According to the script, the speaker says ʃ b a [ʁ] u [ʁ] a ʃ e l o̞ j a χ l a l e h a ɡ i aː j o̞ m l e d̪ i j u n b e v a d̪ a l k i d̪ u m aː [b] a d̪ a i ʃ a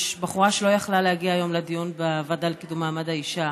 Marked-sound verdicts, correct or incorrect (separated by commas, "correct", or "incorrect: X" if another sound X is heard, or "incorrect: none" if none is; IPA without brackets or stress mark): incorrect: χ, correct, incorrect: m